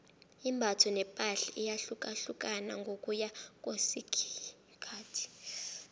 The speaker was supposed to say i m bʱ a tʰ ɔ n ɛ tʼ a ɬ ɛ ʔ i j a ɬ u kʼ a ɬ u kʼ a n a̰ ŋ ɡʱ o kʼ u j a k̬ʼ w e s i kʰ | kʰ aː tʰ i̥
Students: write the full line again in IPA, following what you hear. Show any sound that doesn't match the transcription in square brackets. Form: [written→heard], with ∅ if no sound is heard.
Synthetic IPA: i m bʱ a tʰ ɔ n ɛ [tʼ→pʼ] a ɬ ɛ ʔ i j a ɬ u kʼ a ɬ u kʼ a n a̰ ŋ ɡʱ o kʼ u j a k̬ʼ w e s i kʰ | kʰ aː tʰ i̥